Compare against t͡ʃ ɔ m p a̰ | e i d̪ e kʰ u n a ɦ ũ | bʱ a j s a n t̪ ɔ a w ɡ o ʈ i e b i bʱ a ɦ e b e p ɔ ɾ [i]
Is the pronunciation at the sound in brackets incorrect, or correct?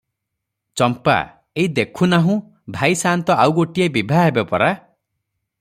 incorrect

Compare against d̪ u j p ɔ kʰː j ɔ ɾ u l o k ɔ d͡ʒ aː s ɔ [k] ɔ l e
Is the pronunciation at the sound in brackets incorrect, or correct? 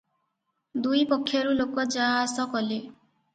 correct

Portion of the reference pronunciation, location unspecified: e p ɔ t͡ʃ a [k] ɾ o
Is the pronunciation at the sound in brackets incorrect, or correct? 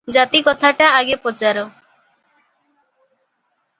incorrect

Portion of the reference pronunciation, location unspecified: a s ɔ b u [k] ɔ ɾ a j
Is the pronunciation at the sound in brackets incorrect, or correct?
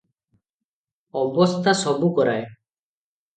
correct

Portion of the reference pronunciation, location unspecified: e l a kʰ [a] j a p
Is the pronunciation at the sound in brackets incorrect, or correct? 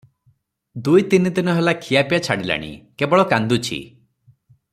incorrect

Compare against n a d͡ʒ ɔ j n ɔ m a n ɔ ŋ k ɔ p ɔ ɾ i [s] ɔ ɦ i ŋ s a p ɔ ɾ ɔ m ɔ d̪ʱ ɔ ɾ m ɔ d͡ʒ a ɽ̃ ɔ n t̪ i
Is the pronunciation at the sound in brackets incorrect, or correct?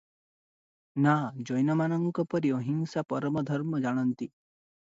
incorrect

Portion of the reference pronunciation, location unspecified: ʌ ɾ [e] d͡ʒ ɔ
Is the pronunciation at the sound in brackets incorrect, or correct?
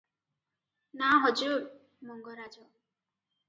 incorrect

